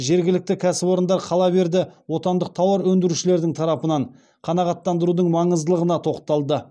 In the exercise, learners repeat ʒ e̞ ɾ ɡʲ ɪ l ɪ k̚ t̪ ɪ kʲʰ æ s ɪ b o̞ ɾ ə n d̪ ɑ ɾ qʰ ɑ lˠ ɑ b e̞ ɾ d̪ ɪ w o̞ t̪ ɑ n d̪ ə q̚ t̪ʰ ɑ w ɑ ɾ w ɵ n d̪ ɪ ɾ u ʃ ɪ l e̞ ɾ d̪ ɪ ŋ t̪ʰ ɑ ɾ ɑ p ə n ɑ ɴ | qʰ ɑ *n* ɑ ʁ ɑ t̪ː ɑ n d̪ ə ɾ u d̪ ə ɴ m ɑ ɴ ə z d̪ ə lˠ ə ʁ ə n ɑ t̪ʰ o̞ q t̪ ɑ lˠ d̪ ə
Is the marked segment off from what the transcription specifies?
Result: no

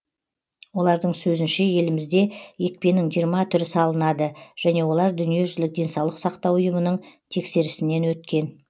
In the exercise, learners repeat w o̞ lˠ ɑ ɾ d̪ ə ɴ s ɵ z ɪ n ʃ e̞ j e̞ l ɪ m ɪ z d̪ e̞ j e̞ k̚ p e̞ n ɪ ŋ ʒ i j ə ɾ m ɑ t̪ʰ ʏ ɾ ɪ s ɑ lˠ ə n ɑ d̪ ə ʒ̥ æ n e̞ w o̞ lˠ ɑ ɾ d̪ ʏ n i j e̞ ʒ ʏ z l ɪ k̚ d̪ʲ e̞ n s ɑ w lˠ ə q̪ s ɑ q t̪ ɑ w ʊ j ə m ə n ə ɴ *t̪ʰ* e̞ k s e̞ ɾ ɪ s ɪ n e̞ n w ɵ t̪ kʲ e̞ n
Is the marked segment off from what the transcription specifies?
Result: no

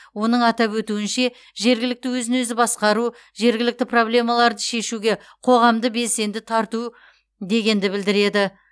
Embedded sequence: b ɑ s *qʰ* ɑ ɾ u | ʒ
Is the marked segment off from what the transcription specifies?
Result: yes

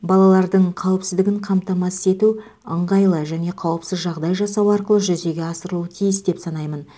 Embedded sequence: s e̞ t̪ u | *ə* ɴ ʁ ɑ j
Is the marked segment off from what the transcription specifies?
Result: no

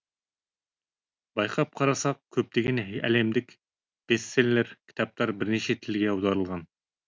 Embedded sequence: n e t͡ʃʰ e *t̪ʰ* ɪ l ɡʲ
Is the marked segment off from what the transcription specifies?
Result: no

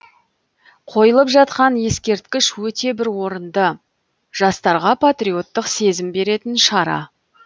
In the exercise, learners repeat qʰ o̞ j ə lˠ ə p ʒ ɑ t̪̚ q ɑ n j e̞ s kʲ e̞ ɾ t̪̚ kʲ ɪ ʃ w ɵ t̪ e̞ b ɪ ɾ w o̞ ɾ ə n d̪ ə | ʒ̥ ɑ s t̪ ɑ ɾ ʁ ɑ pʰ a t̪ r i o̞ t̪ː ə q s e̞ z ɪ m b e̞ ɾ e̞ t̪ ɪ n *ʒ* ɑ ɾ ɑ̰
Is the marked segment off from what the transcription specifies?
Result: yes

